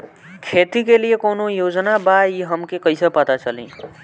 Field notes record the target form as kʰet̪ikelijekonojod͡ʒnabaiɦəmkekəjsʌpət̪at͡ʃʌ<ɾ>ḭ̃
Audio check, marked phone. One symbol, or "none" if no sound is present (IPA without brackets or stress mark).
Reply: l